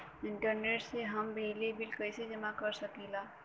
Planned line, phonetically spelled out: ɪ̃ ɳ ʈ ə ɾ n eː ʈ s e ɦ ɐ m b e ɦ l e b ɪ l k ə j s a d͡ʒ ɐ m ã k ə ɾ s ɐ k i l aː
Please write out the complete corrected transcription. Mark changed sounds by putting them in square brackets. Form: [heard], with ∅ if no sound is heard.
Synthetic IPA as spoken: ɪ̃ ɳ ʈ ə ɾ n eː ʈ s e ɦ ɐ m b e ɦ l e b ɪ l k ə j s [e] d͡ʒ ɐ m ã k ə ɾ s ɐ k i l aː